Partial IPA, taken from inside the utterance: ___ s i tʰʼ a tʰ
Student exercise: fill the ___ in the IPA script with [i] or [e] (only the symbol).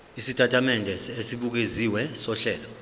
i